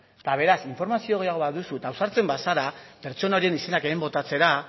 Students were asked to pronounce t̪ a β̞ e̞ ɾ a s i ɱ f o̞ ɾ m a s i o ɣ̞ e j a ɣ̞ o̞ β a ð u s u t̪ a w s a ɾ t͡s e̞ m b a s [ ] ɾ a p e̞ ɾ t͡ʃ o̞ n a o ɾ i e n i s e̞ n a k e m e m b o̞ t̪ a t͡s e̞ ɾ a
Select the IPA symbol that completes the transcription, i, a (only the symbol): a